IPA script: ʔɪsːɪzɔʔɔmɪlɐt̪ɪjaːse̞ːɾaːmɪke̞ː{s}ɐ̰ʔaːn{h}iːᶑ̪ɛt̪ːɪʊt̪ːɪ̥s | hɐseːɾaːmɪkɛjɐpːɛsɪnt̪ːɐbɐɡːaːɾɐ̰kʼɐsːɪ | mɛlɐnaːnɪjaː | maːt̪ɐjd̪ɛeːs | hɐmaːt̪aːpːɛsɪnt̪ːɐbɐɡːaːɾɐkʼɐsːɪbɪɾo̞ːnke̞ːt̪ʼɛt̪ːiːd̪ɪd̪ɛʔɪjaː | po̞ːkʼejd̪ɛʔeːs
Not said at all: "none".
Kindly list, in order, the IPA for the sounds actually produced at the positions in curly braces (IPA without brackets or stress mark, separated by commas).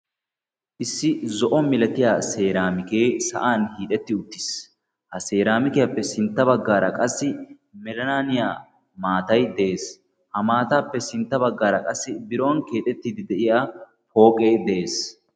s, h